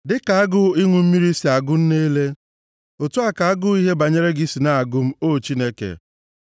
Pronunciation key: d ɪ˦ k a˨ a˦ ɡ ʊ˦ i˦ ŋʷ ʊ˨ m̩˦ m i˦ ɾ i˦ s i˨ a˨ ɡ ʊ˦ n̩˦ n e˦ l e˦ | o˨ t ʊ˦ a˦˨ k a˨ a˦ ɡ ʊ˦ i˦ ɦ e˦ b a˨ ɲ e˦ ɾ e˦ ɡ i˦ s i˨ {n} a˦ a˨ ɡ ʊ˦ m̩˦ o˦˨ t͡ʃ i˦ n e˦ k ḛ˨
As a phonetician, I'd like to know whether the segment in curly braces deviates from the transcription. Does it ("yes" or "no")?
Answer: no